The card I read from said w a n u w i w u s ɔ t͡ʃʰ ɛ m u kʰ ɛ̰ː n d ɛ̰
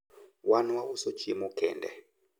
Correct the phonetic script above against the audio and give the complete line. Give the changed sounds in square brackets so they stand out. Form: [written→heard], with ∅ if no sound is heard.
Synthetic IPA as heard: w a n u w [i→a] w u s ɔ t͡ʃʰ [ɛ→i] m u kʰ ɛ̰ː n d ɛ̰